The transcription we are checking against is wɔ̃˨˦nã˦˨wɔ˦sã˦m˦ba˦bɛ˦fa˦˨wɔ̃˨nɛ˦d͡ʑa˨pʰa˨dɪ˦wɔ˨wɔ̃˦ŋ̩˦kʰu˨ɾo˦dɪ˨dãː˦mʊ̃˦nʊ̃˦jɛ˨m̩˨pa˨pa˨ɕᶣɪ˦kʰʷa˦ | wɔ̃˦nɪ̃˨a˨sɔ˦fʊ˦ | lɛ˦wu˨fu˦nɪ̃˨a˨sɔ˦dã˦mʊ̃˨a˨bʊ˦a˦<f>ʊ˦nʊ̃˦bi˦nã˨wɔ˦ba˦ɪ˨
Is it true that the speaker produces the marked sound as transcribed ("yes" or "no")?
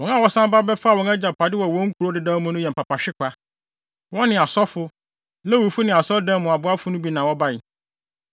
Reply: yes